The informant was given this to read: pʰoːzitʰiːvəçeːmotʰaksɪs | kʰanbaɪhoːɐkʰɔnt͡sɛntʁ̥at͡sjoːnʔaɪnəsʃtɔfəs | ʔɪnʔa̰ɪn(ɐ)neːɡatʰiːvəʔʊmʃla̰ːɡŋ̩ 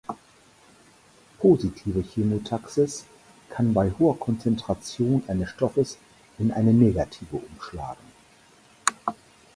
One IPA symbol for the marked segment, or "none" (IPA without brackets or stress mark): ə